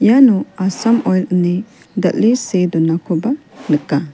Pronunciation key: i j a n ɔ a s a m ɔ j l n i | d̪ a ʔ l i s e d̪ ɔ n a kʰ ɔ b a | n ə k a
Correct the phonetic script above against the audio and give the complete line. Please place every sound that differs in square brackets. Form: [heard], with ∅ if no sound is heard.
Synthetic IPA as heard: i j a n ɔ a s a m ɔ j l n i | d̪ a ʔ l i s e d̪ ɔ n a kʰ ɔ b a | n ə k a